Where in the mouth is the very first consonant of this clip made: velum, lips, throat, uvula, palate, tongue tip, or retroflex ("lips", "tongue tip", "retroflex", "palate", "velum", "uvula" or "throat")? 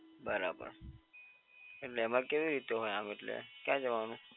lips